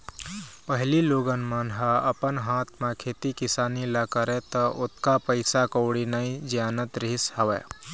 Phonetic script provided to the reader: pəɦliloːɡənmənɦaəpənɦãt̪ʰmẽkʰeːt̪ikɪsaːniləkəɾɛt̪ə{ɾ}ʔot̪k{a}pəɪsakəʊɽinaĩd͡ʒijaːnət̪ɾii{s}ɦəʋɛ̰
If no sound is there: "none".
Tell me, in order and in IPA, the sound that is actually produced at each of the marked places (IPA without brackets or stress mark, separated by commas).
none, a, s